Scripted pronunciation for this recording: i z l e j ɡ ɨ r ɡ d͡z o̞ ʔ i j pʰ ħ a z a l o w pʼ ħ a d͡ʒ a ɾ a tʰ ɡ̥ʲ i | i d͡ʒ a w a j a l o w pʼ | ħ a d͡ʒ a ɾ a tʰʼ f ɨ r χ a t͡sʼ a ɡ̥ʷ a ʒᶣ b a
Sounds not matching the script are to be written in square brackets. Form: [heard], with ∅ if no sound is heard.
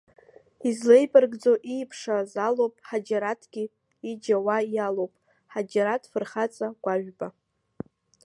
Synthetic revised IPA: i z l e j [b] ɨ r ɡ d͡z o̞ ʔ i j pʰ [ʂ] a z a l o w pʼ ħ a d͡ʒ a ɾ a tʰ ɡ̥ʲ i | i d͡ʒ a w a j a l o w pʼ | ħ a d͡ʒ a ɾ a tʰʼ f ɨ r χ a t͡sʼ a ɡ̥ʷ a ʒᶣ b a